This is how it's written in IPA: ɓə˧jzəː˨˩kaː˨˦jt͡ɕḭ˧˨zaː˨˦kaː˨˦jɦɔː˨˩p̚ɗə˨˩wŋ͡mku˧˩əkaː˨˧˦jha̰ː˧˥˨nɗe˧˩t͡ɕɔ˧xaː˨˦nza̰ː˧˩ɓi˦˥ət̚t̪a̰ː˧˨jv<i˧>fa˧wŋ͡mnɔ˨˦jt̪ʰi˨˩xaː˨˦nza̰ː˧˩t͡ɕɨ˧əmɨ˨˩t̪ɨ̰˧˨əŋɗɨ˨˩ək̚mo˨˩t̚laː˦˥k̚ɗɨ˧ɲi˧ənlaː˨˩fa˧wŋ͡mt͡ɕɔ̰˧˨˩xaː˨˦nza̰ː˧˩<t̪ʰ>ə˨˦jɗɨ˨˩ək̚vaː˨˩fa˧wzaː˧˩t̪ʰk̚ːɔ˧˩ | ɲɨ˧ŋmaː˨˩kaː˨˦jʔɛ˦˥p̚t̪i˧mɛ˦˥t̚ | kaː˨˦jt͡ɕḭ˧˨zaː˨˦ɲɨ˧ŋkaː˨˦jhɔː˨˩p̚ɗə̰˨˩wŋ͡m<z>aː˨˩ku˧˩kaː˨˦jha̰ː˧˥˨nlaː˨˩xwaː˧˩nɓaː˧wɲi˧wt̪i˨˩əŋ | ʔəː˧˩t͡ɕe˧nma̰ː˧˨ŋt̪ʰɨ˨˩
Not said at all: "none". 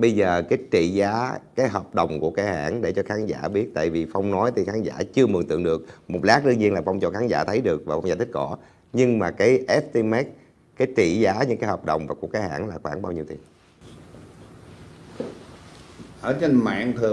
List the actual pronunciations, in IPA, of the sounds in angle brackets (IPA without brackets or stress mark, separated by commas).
i˨˩, t̪ʰ, v